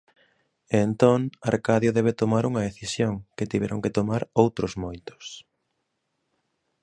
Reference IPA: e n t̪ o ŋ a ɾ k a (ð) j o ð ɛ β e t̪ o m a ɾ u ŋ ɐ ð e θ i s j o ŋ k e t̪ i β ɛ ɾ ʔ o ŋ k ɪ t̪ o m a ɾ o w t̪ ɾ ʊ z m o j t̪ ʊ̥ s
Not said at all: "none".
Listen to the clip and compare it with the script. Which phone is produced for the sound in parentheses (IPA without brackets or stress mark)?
ð